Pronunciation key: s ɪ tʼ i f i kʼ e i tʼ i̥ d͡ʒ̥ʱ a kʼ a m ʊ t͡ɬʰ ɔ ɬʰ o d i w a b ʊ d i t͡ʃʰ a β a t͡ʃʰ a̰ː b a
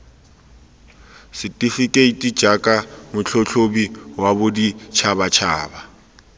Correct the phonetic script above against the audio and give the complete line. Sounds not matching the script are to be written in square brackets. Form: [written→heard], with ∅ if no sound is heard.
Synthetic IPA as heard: s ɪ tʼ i f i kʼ e i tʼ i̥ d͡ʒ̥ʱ a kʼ a m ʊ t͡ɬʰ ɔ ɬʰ o [d→b] i w a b ʊ d i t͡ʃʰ a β a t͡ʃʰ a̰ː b a